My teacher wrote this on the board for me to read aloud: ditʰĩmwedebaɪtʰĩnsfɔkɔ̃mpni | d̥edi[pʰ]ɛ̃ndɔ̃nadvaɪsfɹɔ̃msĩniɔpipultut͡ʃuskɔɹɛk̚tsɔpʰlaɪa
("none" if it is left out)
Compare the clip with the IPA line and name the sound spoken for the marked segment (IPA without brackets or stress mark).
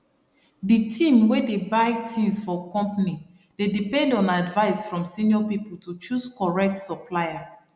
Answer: p